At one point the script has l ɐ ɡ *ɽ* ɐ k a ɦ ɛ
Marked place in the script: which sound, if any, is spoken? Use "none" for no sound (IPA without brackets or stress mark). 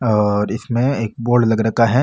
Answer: ɾ